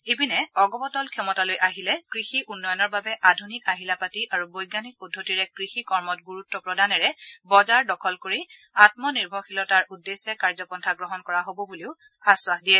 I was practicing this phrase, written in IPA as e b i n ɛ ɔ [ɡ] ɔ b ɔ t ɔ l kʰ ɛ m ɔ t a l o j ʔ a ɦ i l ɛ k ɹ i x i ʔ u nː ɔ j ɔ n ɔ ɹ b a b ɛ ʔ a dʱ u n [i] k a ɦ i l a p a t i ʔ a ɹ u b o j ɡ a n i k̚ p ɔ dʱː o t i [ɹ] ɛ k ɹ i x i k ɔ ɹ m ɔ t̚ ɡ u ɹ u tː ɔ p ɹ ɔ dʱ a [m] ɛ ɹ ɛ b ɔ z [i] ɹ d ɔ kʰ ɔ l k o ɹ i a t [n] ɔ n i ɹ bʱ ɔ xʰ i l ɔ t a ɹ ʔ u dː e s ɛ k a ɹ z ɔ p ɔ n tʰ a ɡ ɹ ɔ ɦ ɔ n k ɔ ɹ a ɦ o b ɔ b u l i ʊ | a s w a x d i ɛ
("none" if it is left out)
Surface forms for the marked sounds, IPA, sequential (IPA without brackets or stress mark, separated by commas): ɡ, i, ɹ, n, a, m